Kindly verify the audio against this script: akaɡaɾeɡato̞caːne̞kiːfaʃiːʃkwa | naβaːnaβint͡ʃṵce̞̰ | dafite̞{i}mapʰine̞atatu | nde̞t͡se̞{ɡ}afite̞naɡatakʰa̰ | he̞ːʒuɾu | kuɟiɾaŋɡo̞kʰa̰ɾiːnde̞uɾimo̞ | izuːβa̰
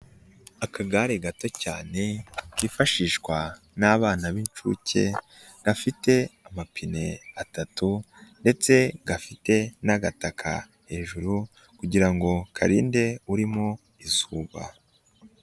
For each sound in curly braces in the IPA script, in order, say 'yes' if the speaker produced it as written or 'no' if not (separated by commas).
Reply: no, yes